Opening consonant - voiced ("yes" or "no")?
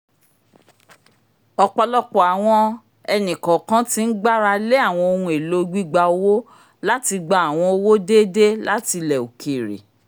no